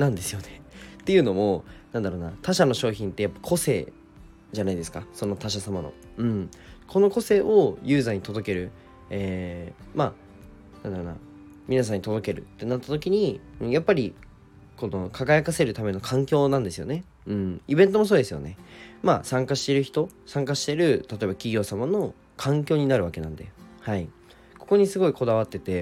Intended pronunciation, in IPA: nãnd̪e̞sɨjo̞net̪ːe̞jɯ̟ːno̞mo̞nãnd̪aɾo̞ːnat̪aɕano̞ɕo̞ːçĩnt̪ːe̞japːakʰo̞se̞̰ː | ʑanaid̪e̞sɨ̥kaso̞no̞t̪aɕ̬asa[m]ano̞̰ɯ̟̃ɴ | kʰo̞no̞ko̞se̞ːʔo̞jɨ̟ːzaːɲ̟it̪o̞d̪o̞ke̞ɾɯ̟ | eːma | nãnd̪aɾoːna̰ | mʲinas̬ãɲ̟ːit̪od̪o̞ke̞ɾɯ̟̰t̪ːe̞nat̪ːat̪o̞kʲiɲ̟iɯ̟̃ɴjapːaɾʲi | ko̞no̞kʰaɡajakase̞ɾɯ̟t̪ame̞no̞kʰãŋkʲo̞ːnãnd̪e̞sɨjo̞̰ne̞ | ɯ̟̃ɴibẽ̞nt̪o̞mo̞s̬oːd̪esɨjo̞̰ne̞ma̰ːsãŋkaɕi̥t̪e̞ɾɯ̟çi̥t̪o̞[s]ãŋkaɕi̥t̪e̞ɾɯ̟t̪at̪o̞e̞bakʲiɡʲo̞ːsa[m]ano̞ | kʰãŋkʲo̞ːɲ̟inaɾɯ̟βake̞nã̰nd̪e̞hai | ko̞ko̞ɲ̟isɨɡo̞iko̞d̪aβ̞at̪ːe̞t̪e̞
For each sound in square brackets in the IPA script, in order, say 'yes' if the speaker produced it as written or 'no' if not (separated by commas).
yes, yes, yes